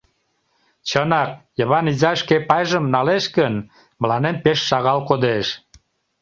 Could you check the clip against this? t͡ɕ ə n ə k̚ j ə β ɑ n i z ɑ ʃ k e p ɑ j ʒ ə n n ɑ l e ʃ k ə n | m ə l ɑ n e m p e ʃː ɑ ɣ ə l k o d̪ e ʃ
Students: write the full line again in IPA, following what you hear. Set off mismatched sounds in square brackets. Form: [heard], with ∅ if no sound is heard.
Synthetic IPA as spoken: t͡ɕ ə n [ɑ] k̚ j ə β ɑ n i z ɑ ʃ k e p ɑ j ʒ ə [m] n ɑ l e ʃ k ə n | m ə l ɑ n e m p e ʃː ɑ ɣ [ɑ] l k o d̪ e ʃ